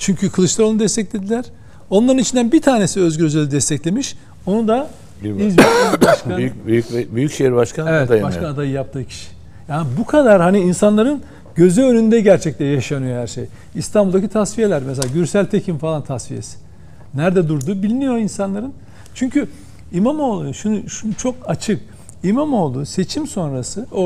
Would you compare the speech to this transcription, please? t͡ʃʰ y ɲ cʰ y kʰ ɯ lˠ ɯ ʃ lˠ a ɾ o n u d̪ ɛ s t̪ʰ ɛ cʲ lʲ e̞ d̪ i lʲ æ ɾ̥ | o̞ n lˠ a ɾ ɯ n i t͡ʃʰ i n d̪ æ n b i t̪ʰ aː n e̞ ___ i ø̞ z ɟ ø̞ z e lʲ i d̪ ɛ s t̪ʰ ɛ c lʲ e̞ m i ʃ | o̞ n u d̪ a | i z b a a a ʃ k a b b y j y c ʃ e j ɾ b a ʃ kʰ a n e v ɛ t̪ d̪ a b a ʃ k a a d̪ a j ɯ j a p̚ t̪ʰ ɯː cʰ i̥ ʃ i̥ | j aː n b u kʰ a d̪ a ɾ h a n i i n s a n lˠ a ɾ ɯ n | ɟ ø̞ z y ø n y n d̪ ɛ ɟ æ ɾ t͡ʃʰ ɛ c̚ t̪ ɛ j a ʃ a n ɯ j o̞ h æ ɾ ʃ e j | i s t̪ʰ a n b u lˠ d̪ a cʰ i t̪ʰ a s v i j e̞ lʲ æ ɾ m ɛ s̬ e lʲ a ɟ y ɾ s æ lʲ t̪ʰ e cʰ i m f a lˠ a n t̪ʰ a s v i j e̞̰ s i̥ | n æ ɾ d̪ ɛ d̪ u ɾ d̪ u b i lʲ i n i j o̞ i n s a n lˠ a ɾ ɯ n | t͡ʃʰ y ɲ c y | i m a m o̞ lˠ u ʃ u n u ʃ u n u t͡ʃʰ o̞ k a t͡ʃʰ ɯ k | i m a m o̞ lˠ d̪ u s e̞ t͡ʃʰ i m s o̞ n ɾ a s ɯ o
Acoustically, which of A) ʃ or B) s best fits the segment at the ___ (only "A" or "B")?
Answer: B